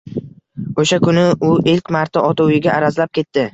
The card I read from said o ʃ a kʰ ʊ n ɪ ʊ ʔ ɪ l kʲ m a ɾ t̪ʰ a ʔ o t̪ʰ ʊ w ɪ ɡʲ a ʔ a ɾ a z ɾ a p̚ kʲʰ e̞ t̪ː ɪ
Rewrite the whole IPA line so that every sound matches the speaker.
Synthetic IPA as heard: o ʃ a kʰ ʊ n ɪ ʊ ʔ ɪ l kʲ m a ɾ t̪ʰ a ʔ ɒ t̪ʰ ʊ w ɪ ɡʲ a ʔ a ɾ a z l a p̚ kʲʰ e̞ t̪ː ɪ